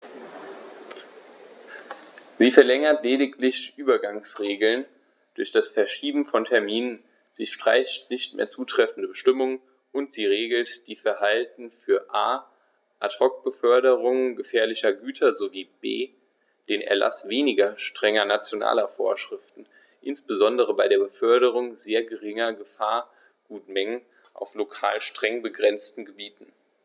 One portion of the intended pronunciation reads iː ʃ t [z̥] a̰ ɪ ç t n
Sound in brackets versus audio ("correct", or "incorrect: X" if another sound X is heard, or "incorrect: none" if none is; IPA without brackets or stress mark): incorrect: ʁ̥